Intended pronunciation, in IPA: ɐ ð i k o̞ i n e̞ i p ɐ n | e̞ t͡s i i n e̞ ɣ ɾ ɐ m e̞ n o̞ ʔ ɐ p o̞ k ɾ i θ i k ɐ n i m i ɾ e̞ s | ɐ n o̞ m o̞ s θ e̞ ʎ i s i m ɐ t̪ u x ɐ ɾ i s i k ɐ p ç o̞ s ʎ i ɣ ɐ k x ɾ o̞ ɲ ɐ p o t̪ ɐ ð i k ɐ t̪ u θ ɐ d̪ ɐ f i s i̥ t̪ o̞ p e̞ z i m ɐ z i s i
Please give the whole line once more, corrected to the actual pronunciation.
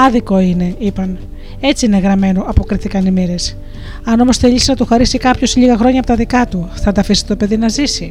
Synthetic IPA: ɐ ð i k o̞ i n e̞ i p ɐ n | e̞ t͡s i i n e̞ ɣ ɾ ɐ m e̞ n o̞ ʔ ɐ p o̞ k ɾ i θ i k ɐ n i m i ɾ e̞ s | ɐ n o̞ m o̞ s θ e̞ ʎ i s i n ɐ t̪ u x ɐ ɾ i s i k ɐ p ç o̞ s ʎ i ɣ ɐ x ɾ o̞ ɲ ɐ p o t̪ ɐ ð i k ɐ t̪ u θ ɐ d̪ ɐ f i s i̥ t̪ o̞ p e̞ ð i n ɐ z i s i